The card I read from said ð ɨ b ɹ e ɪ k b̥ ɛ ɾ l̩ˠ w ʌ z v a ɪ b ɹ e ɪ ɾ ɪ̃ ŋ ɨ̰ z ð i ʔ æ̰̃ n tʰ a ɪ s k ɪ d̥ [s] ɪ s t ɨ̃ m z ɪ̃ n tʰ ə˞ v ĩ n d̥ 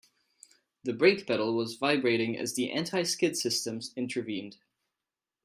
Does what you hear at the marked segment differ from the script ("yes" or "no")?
no